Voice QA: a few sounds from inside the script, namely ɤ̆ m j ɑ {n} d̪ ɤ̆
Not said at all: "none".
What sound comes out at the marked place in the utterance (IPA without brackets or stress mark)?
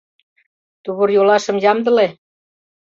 m